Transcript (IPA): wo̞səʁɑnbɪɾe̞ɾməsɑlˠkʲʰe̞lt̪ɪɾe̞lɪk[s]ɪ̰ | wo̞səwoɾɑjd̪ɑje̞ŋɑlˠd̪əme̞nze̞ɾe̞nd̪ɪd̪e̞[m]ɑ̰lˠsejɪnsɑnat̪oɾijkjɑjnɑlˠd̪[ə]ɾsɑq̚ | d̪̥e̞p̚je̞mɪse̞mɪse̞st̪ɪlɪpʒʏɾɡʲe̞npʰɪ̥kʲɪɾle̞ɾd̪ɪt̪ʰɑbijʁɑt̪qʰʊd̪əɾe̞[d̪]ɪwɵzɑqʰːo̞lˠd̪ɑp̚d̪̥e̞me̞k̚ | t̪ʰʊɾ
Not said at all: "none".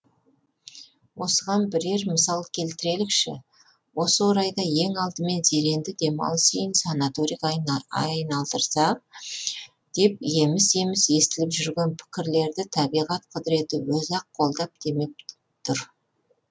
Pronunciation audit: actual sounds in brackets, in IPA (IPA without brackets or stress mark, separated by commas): ʃ, m, ə, t̪